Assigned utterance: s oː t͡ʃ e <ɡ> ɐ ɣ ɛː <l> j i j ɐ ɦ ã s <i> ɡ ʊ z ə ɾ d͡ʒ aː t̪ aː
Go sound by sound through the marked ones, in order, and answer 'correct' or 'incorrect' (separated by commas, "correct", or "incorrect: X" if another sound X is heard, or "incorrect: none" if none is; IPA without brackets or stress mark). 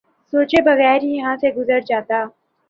incorrect: b, incorrect: ɾ, incorrect: e